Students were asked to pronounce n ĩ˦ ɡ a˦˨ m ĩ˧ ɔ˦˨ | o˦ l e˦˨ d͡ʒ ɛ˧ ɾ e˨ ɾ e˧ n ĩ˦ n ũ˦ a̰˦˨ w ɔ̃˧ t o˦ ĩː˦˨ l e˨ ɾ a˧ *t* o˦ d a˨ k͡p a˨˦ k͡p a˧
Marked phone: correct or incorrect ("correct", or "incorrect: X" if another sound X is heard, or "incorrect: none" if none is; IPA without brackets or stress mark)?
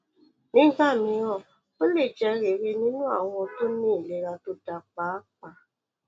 correct